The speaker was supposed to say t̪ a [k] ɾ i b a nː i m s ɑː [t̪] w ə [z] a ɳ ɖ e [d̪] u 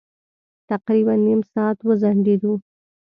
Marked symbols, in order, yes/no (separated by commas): no, yes, yes, yes